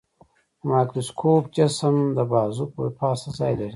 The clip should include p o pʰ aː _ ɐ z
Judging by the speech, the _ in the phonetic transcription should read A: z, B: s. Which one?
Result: B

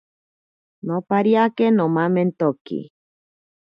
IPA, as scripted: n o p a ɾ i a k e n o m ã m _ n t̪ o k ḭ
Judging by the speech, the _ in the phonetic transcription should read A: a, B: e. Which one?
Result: B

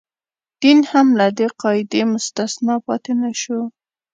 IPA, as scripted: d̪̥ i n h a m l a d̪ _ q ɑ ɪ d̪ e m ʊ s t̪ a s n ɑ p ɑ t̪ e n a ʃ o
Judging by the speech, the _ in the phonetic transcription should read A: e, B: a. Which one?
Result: A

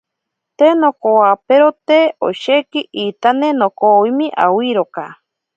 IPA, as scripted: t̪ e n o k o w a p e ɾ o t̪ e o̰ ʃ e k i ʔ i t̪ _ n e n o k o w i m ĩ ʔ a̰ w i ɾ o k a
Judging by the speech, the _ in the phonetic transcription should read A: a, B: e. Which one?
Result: A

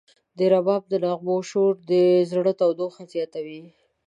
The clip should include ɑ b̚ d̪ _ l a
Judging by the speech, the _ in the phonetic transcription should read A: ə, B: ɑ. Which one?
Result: A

